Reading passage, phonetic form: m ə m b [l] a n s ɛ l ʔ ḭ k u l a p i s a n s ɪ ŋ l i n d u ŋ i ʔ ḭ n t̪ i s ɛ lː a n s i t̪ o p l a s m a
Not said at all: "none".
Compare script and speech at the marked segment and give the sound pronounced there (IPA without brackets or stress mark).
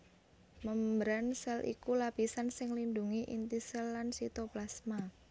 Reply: ɾ